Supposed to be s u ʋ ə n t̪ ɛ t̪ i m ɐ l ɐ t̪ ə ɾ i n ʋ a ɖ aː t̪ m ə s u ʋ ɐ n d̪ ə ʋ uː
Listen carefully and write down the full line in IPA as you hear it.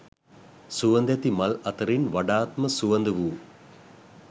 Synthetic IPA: s u ʋ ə n d̪ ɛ t̪ i m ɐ l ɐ t̪ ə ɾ i n ʋ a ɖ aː t̪ m ə s u ʋ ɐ n d̪ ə ʋ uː